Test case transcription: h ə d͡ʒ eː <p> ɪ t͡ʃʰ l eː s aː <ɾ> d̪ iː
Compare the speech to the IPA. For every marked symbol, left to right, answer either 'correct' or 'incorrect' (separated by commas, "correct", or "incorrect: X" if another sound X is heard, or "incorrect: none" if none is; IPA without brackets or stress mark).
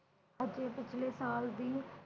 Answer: correct, incorrect: l